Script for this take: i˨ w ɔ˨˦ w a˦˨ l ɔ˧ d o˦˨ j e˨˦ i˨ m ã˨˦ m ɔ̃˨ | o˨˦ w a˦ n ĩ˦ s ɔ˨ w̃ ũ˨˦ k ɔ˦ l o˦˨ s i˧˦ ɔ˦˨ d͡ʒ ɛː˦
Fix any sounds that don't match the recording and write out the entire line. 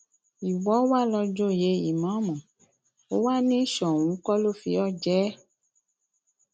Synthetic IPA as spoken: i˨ w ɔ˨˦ w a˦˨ l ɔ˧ d͡ʒ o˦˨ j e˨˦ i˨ m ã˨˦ m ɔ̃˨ | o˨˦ w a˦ n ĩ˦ ʃ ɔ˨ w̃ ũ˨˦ k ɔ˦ l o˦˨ f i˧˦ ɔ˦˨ d͡ʒ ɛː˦